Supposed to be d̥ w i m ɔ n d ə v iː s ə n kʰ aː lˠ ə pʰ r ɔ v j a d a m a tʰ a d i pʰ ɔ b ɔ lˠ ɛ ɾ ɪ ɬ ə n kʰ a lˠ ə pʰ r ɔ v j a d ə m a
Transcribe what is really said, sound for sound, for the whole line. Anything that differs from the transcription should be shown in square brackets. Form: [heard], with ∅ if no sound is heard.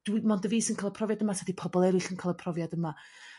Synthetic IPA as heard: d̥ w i m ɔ n d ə v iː s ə n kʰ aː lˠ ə pʰ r ɔ v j a d [ə] m a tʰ a d i pʰ ɔ b ɔ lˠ ɛ ɾ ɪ ɬ ə n kʰ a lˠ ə pʰ r ɔ v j a d ə m a